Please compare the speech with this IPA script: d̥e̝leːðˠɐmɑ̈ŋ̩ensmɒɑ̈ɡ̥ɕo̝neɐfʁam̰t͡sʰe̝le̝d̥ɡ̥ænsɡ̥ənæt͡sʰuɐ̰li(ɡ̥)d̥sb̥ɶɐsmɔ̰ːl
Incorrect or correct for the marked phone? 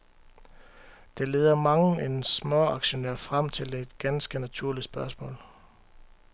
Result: incorrect: none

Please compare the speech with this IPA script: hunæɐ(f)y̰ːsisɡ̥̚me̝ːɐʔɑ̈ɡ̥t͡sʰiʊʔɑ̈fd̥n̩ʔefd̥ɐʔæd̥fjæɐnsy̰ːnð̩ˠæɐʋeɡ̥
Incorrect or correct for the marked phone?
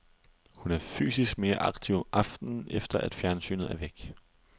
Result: correct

